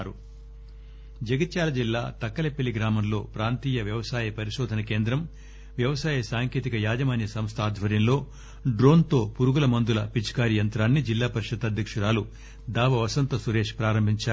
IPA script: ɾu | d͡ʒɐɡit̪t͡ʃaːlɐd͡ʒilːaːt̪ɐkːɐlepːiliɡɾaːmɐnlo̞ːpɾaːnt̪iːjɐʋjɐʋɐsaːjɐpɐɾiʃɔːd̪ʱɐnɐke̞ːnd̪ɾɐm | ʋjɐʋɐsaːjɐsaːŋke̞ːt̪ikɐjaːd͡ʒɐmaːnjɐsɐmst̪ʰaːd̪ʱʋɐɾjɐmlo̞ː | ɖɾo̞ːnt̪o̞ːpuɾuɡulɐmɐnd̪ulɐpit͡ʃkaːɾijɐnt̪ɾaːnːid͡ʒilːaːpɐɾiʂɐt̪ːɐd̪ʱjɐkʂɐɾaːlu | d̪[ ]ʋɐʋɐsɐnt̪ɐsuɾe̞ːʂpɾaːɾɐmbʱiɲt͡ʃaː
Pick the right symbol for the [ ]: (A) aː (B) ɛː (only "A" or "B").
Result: A